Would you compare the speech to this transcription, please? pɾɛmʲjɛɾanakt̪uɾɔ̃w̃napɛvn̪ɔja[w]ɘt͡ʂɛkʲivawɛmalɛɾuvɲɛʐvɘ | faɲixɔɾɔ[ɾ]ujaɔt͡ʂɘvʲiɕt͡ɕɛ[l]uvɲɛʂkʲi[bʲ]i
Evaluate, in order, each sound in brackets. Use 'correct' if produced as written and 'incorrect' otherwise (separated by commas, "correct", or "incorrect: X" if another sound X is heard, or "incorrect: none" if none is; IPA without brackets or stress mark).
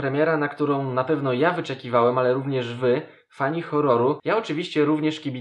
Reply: incorrect: v, correct, incorrect: ɾ, correct